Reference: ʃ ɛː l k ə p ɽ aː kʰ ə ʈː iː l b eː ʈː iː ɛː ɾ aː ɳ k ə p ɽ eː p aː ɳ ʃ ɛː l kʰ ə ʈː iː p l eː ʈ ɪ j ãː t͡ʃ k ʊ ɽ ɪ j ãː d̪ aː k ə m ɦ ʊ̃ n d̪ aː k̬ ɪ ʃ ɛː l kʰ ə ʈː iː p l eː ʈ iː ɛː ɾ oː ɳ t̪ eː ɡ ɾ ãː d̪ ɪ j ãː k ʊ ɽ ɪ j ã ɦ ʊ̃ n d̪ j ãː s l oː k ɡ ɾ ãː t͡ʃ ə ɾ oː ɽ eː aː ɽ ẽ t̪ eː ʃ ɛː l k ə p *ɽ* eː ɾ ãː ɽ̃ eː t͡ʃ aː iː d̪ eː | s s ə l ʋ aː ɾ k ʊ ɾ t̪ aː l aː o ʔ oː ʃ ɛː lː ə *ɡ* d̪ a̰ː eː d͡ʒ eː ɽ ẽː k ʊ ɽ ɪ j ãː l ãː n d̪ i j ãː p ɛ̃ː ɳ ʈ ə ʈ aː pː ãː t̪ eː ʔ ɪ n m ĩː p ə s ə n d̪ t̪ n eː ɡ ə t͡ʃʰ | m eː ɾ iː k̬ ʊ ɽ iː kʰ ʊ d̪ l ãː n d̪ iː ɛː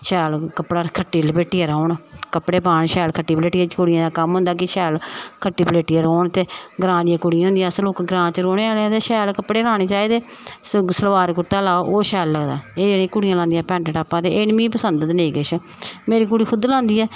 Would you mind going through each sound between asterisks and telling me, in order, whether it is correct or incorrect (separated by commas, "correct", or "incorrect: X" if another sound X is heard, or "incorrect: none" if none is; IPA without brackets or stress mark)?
correct, correct